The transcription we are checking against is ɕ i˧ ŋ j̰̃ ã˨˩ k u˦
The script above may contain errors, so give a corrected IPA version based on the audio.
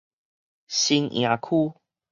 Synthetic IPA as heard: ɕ i˧ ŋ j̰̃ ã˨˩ kʰ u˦